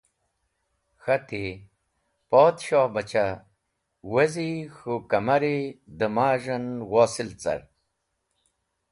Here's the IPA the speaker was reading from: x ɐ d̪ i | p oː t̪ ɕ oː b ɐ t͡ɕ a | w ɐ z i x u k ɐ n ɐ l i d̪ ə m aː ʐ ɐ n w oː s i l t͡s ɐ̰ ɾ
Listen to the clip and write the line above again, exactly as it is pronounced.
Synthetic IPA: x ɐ t̪ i | p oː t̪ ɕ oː b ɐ t͡ɕ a | w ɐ z i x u k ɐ m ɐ ɾ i d̪ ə m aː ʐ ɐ n w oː s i l t͡s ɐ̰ ɾ